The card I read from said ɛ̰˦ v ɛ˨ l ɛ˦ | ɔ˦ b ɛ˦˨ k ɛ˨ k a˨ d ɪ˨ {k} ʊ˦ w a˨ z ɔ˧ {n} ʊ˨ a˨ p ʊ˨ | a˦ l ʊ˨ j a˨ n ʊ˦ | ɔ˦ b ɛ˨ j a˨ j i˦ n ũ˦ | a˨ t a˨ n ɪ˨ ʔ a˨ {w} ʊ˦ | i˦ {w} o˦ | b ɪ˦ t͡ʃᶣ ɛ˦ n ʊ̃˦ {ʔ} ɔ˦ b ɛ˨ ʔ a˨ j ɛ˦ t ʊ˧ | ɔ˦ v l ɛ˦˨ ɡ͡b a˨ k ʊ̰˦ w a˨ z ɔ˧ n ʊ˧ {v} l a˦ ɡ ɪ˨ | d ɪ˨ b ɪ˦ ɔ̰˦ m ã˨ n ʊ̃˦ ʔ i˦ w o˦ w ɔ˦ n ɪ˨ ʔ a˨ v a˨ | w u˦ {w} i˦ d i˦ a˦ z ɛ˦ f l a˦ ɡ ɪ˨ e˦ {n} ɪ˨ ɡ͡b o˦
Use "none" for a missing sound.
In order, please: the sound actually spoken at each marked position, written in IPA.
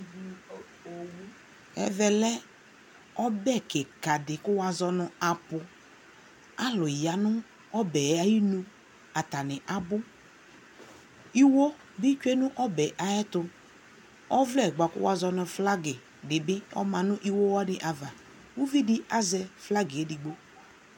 k, n, b, w, ʔ, f, v, d

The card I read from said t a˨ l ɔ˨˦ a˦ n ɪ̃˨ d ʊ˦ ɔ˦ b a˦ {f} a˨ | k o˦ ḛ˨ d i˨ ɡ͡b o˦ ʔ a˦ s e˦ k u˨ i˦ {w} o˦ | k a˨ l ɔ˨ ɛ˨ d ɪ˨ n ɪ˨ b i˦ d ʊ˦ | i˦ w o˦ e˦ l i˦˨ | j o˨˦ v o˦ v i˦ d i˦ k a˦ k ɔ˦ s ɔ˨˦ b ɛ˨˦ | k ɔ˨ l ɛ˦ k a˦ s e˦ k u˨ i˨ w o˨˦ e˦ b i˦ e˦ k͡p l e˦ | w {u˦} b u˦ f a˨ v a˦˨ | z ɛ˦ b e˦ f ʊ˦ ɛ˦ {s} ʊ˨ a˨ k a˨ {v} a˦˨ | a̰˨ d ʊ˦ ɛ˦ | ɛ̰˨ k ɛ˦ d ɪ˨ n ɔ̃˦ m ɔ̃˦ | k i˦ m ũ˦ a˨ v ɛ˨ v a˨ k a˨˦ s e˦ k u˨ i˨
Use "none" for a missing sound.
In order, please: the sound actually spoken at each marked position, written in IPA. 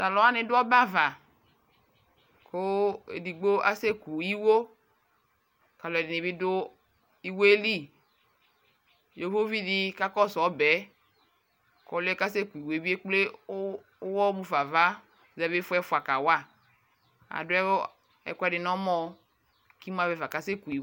v, w, ɔ˦, f, w

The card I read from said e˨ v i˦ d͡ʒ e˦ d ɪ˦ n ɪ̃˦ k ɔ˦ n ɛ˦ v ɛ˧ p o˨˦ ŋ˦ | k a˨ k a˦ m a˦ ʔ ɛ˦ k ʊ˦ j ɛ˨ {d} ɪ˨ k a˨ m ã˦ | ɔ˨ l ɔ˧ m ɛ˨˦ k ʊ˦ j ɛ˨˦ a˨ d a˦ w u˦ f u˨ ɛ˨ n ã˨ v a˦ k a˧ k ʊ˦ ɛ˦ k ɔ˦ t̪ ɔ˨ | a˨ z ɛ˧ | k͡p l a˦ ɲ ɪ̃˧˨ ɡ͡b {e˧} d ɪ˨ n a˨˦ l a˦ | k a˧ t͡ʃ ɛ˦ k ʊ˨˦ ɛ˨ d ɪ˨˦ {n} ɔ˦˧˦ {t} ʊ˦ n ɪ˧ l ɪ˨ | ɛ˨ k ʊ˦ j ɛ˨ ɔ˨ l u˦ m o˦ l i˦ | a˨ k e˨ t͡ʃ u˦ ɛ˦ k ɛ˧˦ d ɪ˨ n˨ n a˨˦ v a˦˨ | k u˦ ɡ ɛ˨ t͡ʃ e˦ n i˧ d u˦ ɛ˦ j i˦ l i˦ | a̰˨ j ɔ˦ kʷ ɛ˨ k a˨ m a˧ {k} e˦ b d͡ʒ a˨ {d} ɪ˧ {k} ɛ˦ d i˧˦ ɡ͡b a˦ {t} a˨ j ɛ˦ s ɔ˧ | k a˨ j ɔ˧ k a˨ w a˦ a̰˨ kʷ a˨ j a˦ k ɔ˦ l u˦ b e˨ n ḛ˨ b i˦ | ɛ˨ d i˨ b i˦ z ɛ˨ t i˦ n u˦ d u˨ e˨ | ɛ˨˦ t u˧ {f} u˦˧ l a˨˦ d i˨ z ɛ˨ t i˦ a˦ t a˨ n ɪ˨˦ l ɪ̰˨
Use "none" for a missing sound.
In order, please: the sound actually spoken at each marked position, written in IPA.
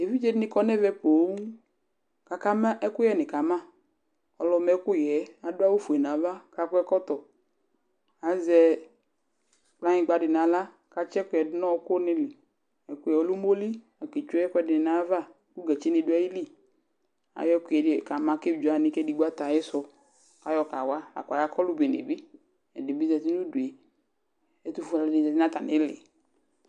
n, a˧, n, k, k, n, k, t, f

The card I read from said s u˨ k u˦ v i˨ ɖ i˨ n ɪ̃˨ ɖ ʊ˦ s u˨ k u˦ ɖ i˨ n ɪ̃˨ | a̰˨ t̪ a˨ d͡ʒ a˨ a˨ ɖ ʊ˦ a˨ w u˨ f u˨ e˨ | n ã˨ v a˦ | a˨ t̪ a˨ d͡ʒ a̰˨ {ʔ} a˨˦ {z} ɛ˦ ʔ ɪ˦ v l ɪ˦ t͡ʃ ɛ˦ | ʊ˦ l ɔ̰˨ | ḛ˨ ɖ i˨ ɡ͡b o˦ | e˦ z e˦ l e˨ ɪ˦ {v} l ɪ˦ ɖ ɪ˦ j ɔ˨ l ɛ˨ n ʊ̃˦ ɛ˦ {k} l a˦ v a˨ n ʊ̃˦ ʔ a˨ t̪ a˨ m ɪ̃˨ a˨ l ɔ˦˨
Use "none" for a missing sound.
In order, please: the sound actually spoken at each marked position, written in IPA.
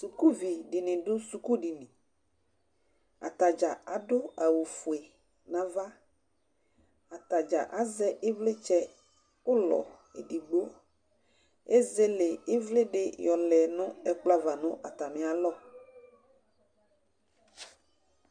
ʔ, z, v, k͡p

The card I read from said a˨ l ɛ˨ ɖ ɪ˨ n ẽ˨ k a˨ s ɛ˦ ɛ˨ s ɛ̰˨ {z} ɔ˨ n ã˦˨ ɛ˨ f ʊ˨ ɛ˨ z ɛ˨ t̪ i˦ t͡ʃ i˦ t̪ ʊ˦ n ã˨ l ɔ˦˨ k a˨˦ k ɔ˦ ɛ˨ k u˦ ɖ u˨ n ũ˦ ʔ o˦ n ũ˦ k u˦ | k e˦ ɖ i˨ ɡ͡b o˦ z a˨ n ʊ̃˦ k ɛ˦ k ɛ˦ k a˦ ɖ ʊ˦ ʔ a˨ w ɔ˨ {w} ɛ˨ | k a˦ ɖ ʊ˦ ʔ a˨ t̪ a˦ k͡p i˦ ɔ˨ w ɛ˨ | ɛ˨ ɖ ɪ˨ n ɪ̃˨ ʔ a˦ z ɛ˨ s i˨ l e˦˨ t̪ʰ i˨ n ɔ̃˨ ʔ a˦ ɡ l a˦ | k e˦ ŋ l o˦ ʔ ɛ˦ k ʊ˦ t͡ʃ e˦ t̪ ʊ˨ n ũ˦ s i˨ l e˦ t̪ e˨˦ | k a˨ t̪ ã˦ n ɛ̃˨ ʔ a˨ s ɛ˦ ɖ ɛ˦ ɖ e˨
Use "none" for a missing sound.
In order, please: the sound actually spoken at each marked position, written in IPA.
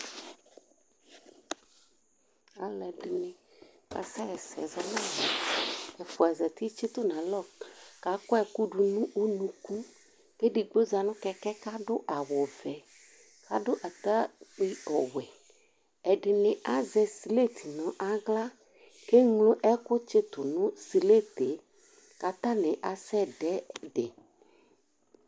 z, v

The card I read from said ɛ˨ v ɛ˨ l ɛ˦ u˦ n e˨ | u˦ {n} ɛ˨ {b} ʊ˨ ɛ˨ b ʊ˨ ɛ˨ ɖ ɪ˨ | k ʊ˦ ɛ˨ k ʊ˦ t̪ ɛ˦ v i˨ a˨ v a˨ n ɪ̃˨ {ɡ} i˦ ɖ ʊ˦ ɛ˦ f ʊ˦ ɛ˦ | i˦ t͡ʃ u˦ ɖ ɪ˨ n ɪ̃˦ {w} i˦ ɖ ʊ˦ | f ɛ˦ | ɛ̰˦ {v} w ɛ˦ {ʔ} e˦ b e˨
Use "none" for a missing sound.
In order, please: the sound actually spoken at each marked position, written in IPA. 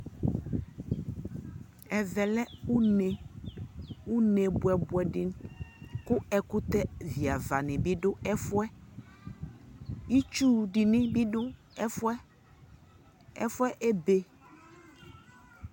n, b, b, b, f, ʔ

